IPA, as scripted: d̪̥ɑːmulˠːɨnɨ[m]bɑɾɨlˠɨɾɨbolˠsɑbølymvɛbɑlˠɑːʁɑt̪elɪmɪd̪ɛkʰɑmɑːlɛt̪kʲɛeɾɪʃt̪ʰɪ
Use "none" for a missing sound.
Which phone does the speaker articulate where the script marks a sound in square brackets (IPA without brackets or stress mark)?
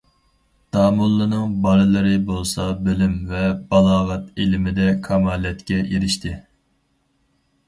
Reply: ŋ